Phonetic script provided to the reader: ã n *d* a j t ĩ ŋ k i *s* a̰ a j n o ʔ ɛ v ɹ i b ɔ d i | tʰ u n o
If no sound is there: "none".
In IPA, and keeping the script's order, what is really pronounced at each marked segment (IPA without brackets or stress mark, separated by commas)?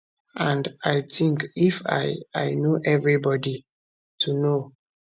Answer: d, f